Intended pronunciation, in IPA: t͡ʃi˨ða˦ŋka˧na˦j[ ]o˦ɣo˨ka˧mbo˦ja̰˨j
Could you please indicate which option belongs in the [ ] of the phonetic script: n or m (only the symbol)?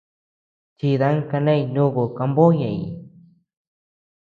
n